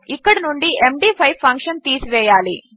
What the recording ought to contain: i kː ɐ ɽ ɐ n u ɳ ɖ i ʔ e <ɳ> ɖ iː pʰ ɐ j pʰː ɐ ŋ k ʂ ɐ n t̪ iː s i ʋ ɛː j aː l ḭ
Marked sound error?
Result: yes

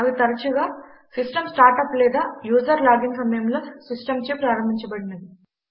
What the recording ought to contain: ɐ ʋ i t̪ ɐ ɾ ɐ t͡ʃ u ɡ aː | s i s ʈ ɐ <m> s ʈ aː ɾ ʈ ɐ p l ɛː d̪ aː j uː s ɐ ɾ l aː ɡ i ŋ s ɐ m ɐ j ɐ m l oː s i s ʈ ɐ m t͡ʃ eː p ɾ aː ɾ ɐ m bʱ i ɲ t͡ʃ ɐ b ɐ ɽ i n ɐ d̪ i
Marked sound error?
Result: no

